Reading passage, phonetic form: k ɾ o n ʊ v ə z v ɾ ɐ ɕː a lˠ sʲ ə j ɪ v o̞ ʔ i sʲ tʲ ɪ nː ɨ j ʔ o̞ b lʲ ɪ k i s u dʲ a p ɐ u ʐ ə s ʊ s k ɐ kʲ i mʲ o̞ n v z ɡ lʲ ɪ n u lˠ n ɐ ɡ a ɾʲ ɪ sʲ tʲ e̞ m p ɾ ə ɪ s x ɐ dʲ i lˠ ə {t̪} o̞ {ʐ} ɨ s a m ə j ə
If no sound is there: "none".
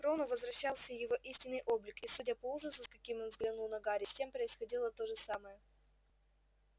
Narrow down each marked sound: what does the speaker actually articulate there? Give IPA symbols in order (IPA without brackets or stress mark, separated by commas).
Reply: t̪, ʐ